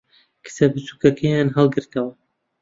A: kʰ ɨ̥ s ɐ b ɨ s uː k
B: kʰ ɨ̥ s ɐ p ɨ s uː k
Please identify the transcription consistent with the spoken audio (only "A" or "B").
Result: A